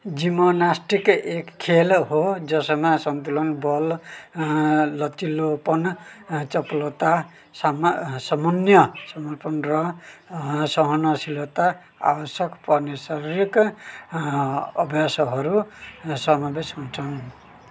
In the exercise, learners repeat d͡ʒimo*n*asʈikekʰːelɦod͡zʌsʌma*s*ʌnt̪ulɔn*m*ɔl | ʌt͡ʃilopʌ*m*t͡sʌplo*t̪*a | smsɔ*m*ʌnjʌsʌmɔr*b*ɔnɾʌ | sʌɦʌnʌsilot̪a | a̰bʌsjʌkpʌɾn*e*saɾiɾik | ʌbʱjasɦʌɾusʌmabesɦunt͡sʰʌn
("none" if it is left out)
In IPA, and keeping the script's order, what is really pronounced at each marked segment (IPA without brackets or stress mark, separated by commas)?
n, s, b, n, t̪, m, p, e